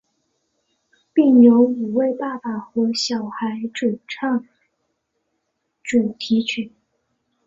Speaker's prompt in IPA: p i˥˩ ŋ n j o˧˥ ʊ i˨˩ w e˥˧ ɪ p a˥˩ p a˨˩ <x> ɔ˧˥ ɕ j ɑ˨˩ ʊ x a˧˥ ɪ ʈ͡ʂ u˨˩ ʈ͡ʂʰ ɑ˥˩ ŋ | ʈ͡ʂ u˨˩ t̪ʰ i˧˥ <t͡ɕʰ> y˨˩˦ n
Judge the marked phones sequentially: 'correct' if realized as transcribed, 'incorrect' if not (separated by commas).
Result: correct, correct